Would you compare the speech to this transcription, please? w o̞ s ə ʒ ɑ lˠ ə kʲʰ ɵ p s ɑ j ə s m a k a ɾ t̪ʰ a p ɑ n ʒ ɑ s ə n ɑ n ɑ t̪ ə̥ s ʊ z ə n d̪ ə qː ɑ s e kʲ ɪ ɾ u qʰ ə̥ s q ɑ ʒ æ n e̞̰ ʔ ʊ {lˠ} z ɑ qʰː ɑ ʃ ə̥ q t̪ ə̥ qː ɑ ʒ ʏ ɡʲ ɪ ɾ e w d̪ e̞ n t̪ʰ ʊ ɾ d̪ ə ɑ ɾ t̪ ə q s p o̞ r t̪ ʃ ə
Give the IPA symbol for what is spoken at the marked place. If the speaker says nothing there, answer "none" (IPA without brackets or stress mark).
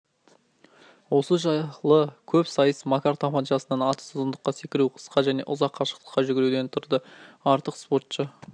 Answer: none